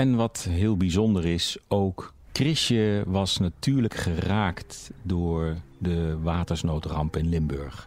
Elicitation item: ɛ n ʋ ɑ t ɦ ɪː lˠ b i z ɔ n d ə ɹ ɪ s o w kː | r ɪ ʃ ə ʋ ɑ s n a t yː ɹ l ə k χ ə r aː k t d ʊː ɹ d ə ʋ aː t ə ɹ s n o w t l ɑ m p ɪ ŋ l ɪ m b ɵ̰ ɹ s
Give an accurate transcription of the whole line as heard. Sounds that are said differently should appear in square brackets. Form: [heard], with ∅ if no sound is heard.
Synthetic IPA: ɛ n ʋ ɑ t ɦ ɪː lˠ b i z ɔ n d ə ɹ ɪ s o w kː | r ɪ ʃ ə ʋ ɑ s n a t yː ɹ l ə k χ ə r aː k t d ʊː ɹ d ə ʋ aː t ə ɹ s n o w t [r] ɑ m p ɪ [n] l ɪ m b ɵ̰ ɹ [χ]